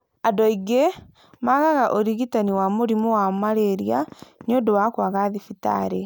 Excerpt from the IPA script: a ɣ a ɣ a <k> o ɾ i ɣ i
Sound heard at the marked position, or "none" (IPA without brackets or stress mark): ʔ